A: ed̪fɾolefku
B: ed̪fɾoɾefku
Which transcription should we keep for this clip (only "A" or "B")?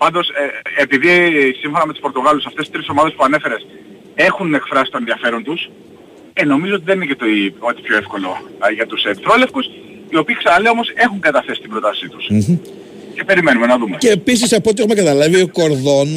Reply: A